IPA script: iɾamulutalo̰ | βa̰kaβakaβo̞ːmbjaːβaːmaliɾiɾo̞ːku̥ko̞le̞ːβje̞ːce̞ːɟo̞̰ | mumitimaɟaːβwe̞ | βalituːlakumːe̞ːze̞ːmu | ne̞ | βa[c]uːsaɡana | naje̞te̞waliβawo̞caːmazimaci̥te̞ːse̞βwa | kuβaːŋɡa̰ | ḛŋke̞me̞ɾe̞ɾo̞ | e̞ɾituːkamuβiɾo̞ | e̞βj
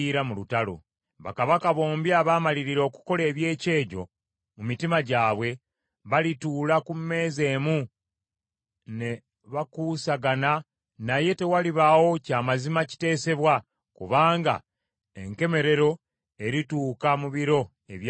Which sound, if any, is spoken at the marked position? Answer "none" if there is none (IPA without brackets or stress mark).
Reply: k